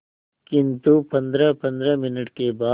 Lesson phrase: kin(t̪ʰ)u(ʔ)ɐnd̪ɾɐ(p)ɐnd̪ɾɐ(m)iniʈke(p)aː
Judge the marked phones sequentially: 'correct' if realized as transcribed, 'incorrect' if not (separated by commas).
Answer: incorrect, incorrect, correct, correct, incorrect